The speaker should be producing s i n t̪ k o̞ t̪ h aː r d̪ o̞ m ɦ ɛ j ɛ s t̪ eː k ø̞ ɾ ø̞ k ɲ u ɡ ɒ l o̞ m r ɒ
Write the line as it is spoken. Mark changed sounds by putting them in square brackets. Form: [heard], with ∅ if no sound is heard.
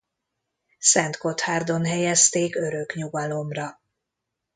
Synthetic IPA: s [ɛ] n t̪ k o̞ t̪ h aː r d̪ o̞ [n] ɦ ɛ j ɛ s t̪ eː k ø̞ ɾ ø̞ k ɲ u ɡ ɒ l o̞ m r ɒ